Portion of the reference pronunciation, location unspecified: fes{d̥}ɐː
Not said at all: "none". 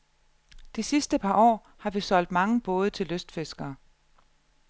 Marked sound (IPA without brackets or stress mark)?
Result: ɡ̥